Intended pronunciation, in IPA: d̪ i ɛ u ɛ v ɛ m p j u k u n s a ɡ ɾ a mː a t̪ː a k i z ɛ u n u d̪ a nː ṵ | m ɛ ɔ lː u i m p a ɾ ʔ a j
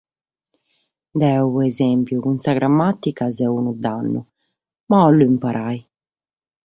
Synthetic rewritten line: d̪ ɛ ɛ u ɛ z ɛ m p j u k u n s a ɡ ɾ a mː a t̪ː i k a z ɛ u n u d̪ a nː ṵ | m a ɔ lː u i m p a ɾ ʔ a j

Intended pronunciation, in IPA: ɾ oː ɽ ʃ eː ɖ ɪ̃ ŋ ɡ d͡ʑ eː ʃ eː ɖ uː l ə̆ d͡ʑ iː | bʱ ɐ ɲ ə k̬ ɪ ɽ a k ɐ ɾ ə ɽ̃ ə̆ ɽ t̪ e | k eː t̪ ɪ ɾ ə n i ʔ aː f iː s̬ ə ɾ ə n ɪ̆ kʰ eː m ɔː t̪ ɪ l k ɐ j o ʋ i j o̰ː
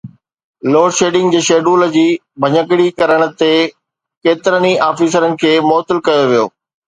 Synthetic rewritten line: l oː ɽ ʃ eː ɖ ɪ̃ ŋ ɡ d͡ʑ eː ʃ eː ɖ uː l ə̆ d͡ʑ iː | bʱ ɐ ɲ ə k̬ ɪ ɽ i k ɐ ɾ ə ɽ̃ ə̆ t̪ e | k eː t̪ ɪ ɾ ə n i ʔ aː f iː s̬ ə ɾ ə n ɪ̆ kʰ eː m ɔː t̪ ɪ l k ɐ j o ʋ i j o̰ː

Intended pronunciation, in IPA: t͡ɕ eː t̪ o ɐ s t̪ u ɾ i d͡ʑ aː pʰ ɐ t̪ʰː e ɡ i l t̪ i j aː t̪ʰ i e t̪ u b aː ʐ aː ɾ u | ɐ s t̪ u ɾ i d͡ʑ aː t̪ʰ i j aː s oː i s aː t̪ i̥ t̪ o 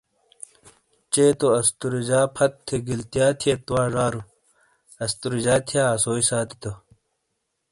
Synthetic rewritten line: t͡ɕ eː t̪ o ɐ s t̪ u ɾ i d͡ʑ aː pʰ ɐ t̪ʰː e ɡ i l t̪ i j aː t̪ʰ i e t̪ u w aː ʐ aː ɾ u | ɐ s t̪ u ɾ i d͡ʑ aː t̪ʰ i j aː s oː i s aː t̪ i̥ t̪ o

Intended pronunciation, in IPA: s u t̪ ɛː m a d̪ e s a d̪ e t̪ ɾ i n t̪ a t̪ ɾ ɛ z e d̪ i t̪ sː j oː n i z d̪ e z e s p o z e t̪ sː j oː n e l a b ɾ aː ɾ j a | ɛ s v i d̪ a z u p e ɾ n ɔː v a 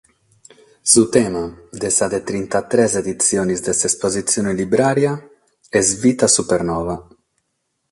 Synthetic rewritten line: s u t̪ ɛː m a d̪ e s a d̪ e t̪ ɾ i n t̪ a t̪ ɾ ɛ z e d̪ i t̪ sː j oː n i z d̪ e s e s p o z i t̪ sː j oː n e l i b ɾ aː ɾ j a | ɛ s v i t̪ a s u p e ɾ n ɔː v a

